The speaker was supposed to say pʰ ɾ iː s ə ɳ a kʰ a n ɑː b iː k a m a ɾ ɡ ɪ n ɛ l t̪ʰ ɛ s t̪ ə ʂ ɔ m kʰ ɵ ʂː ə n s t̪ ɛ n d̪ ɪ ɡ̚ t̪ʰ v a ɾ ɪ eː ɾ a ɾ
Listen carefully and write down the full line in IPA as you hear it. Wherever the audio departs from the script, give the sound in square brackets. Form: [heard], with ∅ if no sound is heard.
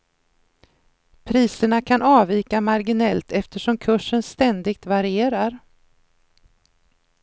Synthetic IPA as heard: pʰ ɾ iː s ə ɳ a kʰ a n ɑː [v] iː k a m a ɾ ɡ ɪ n ɛ l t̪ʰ ɛ [f] t̪ ə ʂ ɔ m kʰ ɵ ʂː ə n s t̪ ɛ n d̪ ɪ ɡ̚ [t̪] v a ɾ ɪ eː ɾ a ɾ